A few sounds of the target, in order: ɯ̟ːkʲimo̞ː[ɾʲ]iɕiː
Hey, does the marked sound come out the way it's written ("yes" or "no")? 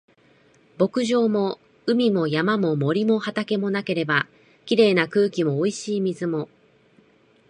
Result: no